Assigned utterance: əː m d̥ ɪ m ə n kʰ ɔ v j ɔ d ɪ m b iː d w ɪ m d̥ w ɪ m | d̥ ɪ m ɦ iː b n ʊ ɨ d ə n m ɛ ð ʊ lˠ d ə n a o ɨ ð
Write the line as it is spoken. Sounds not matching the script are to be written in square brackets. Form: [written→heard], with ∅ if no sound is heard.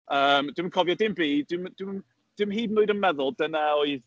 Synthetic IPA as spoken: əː m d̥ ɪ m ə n kʰ ɔ v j ɔ d ɪ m b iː d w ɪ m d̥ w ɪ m | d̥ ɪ m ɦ iː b n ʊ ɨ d ə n m ɛ ð ʊ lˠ d ə n a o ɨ ð